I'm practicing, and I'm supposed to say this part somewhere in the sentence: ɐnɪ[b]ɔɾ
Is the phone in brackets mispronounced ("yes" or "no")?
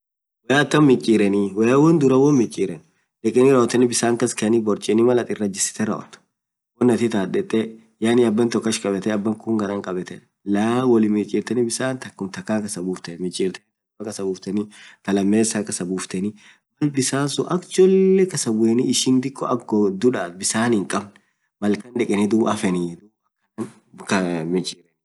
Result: no